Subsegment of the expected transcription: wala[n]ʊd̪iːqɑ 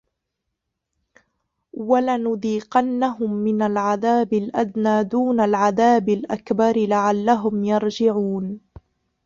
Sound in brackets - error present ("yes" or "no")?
no